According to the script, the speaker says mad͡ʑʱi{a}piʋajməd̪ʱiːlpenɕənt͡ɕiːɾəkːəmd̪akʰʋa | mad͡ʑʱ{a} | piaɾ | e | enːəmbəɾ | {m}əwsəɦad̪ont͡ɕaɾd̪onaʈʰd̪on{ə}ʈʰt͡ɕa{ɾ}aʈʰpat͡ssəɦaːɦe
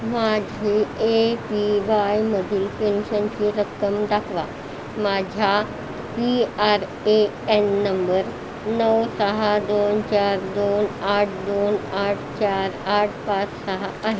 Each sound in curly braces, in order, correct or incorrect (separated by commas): incorrect, correct, incorrect, incorrect, correct